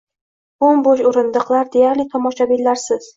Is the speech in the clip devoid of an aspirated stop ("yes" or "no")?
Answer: no